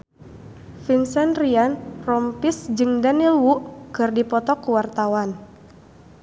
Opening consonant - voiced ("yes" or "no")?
no